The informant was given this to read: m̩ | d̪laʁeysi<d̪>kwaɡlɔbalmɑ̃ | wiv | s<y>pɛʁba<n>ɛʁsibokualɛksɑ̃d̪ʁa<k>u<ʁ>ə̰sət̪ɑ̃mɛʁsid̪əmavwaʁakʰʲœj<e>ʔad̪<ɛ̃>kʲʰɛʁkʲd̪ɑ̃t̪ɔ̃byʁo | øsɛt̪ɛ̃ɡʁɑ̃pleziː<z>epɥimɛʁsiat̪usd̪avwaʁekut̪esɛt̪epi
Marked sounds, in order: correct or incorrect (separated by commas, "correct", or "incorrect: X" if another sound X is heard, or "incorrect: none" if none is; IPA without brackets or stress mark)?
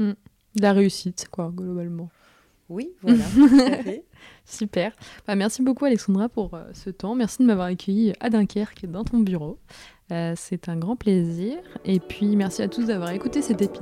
incorrect: t̪, correct, incorrect: m, incorrect: p, correct, incorrect: i, correct, incorrect: ʁ